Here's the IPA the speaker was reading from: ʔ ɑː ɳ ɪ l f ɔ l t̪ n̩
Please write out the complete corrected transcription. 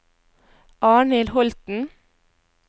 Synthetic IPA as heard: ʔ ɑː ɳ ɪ l h ɔ l t̪ n̩